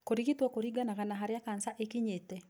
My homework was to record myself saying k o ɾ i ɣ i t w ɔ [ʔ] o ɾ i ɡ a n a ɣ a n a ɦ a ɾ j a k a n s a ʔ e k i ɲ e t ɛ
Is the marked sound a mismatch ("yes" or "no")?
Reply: yes